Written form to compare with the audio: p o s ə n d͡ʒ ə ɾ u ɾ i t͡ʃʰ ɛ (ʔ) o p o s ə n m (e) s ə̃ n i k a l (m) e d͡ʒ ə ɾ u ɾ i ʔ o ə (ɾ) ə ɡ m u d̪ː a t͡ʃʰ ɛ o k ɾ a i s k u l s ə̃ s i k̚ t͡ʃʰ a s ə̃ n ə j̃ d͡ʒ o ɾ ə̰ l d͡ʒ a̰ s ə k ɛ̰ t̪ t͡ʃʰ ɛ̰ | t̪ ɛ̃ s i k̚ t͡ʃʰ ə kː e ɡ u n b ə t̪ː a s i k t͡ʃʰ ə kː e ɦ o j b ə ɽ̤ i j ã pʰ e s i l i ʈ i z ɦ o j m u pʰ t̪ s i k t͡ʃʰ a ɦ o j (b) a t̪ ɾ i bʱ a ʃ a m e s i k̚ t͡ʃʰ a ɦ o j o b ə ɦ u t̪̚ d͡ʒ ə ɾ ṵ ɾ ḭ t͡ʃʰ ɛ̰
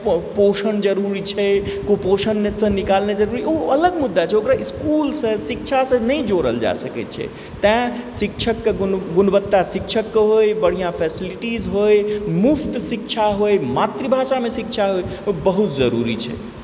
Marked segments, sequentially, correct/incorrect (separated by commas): incorrect, correct, incorrect, incorrect, incorrect